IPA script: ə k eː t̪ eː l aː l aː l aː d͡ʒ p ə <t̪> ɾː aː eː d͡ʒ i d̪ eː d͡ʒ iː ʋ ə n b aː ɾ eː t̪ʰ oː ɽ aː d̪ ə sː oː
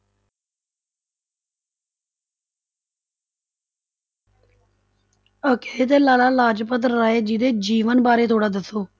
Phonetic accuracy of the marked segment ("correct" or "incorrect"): correct